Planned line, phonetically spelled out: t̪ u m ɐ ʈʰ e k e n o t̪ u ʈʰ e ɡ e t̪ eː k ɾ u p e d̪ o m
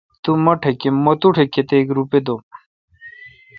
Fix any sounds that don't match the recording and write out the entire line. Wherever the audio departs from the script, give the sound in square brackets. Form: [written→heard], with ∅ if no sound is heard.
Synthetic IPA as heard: t̪ u m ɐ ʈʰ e k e [n→m] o t̪ u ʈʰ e [ɡ→k] e t̪ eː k ɾ u p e d̪ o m